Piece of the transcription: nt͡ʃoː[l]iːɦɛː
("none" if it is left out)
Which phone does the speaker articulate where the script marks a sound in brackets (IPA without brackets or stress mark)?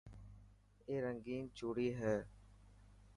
ɽ